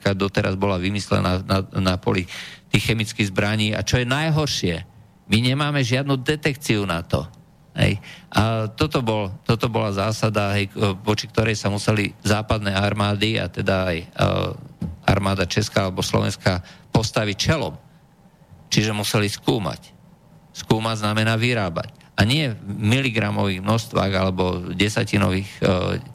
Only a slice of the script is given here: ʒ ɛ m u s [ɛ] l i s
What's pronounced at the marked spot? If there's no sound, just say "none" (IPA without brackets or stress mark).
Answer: ɛ